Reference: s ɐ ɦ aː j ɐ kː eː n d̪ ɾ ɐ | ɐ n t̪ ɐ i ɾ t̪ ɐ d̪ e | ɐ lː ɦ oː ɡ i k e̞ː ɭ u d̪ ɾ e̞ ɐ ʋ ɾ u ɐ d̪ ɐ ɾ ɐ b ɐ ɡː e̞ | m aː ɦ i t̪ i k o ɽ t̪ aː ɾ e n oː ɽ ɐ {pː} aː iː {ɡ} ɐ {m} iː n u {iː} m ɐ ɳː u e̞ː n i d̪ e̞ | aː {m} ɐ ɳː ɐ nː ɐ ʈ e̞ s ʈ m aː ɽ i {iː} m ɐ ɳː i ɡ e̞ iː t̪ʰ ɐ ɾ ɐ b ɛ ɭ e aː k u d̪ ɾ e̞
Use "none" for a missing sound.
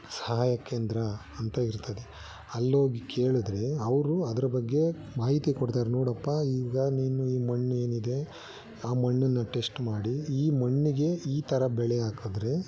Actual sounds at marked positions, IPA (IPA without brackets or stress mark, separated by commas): pː, ɡ, n, iː, m, iː